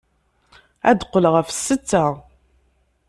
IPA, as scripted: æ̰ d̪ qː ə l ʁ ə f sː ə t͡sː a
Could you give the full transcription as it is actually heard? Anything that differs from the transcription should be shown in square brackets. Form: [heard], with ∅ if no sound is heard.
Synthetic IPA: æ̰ d̪ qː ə l ʁ ə f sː ə t͡sː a